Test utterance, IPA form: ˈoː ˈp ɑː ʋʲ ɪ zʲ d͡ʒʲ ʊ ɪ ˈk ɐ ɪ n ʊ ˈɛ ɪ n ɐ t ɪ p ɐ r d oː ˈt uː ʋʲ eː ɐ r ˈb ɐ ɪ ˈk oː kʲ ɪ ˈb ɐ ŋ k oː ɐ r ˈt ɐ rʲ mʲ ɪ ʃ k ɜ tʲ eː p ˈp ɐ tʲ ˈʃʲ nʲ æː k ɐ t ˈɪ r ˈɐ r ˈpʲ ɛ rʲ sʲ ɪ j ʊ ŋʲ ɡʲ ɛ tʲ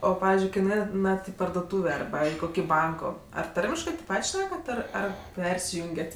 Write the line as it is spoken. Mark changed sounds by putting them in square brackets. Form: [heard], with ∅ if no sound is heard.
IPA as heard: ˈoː ˈp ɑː ʋʲ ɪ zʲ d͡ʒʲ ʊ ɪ ˈk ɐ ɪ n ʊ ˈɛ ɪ n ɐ t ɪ p ɐ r d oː ˈt uː ʋʲ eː ɐ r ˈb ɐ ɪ ˈk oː kʲ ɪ ˈb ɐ ŋ k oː ɐ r ˈt ɐ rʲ mʲ ɪ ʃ k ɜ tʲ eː p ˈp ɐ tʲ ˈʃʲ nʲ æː k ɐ t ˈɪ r ˈɐ r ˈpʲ ɛ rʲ sʲ ɪ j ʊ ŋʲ ɡʲ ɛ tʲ